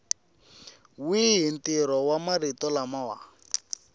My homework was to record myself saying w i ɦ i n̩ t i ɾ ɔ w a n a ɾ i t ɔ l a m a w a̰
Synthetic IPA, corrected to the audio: w i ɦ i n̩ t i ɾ ɔ w a m a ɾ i t ɔ l a m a w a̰

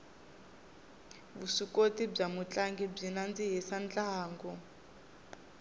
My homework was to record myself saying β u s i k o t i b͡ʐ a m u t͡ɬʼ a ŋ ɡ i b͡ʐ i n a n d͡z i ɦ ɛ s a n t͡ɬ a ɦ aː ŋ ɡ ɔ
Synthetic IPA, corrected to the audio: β u s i k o t i b͡ʐ a m u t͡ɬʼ a ŋ ɡ i b͡ʐ i n a n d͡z i ɦ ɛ s a n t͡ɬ a ɦ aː ŋ ɡ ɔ

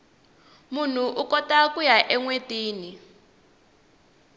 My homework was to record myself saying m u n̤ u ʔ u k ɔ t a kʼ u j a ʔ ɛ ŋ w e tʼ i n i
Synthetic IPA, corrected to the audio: m u n̤ u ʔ u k ɔ t a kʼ u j a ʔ ɛ ŋ w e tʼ iː n i

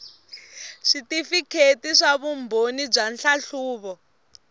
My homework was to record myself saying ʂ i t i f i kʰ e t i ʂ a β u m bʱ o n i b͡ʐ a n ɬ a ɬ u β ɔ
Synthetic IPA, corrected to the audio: ʂ i t i f i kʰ e t i ʂ a β u m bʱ o n i b͡ʐ a n ɬ a ɬ uː β ɔ

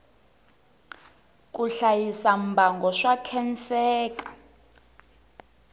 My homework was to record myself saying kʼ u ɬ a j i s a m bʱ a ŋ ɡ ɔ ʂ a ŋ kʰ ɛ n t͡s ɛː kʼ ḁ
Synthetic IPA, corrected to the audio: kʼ u ɬ a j i s a m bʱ a ŋ ɡ ɔ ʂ a kʰ ɛ n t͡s ɛː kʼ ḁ

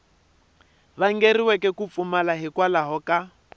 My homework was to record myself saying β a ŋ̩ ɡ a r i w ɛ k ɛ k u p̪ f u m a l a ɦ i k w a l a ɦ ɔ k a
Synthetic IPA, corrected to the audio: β a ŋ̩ ɡ e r i w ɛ k ɛ k u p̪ f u m a l a ɦ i k w a l a ɦ ɔ k a

